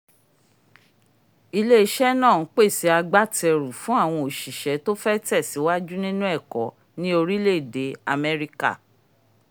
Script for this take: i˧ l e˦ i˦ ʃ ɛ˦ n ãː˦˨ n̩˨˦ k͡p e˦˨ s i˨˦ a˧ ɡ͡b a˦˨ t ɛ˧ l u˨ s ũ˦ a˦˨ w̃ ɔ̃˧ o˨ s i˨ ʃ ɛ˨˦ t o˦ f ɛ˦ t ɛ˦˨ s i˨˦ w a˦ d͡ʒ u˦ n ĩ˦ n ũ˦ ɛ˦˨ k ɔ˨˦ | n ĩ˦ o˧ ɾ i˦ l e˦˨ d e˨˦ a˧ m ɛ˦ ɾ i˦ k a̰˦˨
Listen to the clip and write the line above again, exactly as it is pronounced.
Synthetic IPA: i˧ l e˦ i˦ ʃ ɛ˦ n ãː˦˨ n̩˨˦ k͡p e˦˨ s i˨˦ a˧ ɡ͡b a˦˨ t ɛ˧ ɾ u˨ f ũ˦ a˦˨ w̃ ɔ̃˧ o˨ ʃ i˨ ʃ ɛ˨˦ t o˦ f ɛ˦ t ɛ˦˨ s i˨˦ w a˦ d͡ʒ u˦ n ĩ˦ n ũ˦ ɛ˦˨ k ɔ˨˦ | n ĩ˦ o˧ ɾ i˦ l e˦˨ d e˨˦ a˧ m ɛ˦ ɾ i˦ k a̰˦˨